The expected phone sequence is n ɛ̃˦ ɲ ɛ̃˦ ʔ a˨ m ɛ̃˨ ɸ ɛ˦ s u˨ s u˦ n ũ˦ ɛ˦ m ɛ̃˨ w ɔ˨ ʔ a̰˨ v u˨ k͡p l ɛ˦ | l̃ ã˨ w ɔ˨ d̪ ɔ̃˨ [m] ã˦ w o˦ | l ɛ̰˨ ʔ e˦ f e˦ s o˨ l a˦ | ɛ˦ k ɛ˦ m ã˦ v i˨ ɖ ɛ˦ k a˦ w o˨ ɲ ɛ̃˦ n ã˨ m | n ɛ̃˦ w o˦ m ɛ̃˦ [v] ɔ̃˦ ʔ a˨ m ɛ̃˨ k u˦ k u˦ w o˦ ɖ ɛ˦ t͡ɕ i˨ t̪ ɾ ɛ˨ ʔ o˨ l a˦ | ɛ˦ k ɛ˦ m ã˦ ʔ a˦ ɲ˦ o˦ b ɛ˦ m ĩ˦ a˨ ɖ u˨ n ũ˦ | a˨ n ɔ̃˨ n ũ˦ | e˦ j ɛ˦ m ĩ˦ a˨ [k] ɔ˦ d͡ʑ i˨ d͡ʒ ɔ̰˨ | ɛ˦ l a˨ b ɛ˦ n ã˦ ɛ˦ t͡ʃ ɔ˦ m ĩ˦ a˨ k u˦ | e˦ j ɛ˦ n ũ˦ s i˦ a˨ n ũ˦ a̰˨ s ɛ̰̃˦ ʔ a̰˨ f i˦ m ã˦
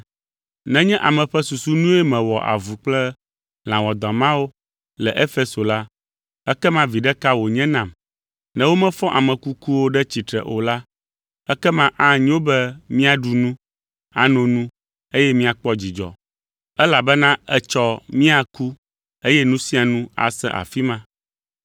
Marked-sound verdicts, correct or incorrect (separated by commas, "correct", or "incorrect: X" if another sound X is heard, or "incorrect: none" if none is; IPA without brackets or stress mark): correct, incorrect: f, incorrect: k͡p